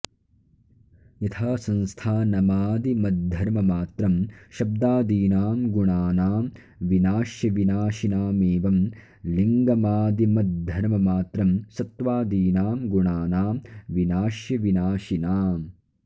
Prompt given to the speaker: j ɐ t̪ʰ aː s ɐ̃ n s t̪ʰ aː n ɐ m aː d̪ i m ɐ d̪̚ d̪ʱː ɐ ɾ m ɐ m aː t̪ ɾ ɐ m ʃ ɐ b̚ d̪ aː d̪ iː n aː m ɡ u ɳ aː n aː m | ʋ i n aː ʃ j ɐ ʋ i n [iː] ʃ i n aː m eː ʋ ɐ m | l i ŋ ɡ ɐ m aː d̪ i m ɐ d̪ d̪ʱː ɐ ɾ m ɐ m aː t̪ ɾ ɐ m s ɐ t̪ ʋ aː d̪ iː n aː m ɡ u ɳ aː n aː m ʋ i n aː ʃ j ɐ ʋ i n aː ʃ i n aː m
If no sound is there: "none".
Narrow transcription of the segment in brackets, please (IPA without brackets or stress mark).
aː